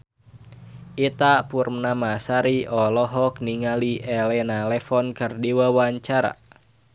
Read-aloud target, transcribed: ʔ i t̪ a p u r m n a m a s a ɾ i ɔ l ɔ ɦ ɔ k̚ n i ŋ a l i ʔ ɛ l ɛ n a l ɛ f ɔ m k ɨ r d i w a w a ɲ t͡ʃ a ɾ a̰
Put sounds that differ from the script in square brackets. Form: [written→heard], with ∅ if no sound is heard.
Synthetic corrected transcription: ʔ i t̪ a p u r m n a m a s a ɾ i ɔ l ɔ ɦ ɔ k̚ n i ŋ a l i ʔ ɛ l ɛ n a l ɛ f ɔ [m→n] k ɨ r d i w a w a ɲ t͡ʃ a ɾ a̰